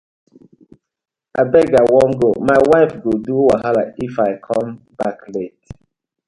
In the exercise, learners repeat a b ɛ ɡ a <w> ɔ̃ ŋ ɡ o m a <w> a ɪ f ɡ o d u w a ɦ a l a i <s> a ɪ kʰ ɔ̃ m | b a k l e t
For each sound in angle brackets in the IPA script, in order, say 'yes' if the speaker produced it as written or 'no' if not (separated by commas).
yes, yes, no